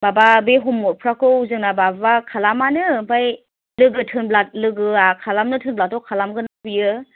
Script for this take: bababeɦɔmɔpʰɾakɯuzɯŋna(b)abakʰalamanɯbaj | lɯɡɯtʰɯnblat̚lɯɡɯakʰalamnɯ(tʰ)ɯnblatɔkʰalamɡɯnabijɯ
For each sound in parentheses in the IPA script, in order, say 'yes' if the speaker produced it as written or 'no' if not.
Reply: yes, yes

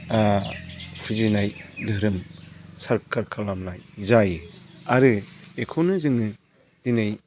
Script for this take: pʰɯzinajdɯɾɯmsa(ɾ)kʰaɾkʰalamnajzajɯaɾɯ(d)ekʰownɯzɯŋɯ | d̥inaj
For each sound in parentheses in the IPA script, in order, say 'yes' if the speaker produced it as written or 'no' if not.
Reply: yes, no

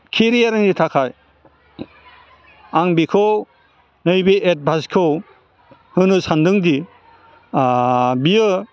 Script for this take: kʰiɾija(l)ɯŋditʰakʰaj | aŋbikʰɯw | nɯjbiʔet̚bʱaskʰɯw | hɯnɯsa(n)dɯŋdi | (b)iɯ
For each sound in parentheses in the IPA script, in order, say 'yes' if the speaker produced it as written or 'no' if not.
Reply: no, yes, yes

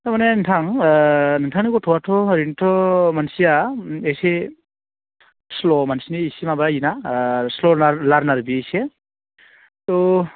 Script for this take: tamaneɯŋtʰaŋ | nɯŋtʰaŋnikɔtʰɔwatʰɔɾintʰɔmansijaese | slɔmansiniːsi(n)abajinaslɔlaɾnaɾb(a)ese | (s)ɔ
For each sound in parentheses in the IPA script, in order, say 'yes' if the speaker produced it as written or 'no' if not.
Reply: no, no, no

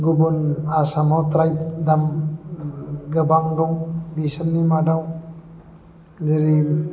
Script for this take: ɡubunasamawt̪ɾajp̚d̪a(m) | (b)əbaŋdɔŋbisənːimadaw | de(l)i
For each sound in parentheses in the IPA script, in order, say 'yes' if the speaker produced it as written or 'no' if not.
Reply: yes, no, no

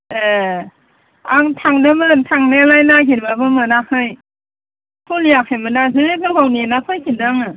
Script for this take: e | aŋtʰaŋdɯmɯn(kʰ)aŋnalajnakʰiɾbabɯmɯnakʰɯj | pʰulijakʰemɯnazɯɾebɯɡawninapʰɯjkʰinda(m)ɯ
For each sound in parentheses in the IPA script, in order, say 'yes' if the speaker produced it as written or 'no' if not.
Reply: no, no

